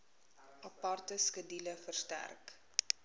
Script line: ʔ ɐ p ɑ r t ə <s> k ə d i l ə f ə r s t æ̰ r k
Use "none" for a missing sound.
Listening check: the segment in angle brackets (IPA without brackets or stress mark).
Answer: s